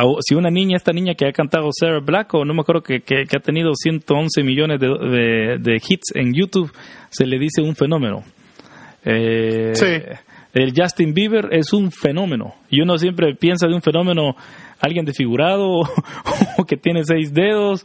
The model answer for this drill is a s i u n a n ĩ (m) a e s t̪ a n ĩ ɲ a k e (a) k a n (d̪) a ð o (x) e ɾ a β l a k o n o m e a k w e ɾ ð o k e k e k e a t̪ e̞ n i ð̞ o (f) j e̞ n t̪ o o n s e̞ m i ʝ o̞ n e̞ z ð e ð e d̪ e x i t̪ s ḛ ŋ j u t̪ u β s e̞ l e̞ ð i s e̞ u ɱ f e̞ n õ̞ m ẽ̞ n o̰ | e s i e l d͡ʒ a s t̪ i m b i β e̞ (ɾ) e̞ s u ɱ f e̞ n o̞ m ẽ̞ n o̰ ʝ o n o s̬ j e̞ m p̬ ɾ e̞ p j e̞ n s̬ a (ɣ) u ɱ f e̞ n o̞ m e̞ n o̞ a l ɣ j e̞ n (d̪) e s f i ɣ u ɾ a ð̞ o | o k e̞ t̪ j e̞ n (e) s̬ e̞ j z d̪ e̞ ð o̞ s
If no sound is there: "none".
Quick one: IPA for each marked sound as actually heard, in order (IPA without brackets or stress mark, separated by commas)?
ɲ, a, t̪, s, s, ɾ, ð, d̪, e